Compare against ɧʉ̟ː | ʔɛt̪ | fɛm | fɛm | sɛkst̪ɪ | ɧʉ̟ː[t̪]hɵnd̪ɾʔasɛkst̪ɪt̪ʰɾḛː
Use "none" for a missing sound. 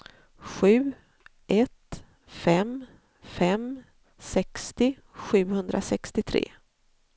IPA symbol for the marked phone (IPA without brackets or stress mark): none